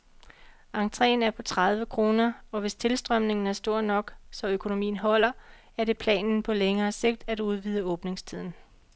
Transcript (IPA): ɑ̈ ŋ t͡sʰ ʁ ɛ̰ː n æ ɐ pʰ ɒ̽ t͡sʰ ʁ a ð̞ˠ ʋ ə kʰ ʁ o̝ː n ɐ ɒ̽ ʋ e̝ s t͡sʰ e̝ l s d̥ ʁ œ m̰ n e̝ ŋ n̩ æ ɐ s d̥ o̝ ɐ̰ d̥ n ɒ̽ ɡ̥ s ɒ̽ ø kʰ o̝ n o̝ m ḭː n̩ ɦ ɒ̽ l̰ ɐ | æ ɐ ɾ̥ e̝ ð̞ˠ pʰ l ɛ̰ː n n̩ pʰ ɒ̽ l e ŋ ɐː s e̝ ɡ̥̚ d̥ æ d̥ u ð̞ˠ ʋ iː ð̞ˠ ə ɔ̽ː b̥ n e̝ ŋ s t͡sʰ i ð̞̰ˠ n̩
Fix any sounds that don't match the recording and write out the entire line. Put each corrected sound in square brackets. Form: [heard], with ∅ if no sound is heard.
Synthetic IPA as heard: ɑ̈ ŋ t͡sʰ ʁ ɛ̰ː n æ ɐ pʰ ɒ̽ t͡sʰ ʁ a ð̞ˠ ʋ ə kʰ ʁ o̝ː n ɐ ɒ̽ ʋ e̝ s t͡sʰ e̝ l s d̥ ʁ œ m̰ n e̝ ŋ n̩ æ ɐ s d̥ o̝ ɐ̰ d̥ n ɒ̽ ɡ̥ s ɒ̽ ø kʰ o̝ n o̝ m ḭː n̩ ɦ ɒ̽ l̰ ɐ | æ ɐ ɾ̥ e̝ [∅] pʰ l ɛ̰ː n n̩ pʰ ɒ̽ l e ŋ ɐː s e̝ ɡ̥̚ d̥ æ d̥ u ð̞ˠ ʋ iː ð̞ˠ ə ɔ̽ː b̥ n e̝ ŋ s t͡sʰ i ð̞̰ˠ n̩